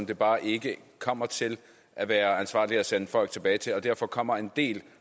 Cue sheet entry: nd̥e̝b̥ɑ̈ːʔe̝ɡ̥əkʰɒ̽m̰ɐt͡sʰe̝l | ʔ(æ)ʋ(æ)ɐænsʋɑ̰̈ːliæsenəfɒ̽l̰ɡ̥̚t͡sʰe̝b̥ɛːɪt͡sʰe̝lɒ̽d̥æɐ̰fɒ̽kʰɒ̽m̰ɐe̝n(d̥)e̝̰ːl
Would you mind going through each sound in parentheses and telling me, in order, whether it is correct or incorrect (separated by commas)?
correct, incorrect, correct